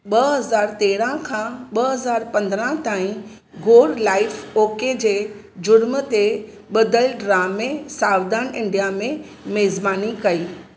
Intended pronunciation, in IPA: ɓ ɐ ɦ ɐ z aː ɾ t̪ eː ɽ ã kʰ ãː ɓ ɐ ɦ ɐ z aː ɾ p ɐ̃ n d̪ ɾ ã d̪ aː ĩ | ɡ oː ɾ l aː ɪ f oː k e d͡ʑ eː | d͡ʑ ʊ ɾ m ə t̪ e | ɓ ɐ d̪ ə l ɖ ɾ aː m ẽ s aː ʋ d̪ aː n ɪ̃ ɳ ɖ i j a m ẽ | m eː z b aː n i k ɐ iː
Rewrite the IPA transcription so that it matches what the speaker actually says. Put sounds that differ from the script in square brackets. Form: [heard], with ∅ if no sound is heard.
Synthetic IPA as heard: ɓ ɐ ɦ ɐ z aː ɾ t̪ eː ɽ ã kʰ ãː ɓ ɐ ɦ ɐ z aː ɾ p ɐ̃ n d̪ ɾ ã [t̪] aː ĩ | ɡ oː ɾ l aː ɪ f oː k e d͡ʑ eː | d͡ʑ ʊ ɾ m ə t̪ e | ɓ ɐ d̪ ə l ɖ ɾ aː m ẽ s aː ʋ d̪ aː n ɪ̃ ɳ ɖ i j a m ẽ | m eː z b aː n i k ɐ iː